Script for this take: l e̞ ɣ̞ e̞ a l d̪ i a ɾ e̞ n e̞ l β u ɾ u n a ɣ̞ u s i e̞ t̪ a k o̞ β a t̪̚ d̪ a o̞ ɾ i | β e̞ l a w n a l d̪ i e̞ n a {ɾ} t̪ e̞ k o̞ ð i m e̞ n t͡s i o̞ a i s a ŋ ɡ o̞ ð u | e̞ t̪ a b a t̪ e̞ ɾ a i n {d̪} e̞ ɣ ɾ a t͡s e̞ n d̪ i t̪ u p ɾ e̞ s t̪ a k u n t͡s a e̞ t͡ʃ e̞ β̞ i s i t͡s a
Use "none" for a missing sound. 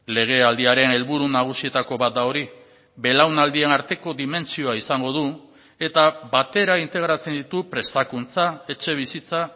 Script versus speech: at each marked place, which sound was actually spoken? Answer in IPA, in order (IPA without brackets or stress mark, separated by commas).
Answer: ɾ, t̪